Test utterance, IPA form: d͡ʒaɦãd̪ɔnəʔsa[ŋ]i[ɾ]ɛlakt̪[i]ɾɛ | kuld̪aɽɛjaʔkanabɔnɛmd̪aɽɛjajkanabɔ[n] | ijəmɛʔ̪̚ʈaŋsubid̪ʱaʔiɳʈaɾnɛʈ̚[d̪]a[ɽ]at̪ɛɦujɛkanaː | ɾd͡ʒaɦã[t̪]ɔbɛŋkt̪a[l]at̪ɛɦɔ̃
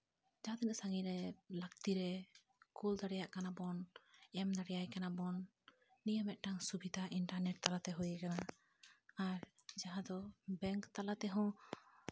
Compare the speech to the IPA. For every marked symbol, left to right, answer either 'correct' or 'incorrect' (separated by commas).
correct, correct, correct, incorrect, incorrect, incorrect, incorrect, correct